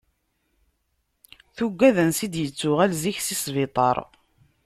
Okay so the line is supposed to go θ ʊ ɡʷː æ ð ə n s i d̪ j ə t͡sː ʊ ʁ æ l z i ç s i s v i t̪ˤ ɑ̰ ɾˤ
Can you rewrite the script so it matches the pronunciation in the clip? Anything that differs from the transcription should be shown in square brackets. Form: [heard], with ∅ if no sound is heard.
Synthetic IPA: θ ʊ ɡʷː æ ð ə n s i d̪ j ə t͡sː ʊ ʁ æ l z i ç s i s v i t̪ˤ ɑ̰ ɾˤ